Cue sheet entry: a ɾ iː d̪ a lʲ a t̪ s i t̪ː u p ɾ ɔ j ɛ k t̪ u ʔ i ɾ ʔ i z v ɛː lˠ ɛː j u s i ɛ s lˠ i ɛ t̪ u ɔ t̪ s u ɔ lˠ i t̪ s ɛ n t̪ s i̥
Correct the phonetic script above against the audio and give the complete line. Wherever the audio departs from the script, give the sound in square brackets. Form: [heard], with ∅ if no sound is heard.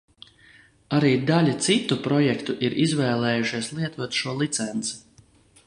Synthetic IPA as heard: a ɾ iː d̪ a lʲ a t̪ s i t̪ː u p ɾ ɔ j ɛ k t̪ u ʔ i ɾ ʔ i z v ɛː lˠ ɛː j u [ʃ] i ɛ s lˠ i ɛ t̪ u ɔ t̪ [ʃ] u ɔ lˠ i t̪ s ɛ n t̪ s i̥